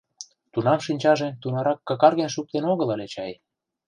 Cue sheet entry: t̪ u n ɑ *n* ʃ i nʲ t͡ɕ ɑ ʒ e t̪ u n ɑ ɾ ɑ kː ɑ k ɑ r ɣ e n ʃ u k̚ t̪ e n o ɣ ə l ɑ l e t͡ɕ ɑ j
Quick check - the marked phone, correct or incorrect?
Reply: incorrect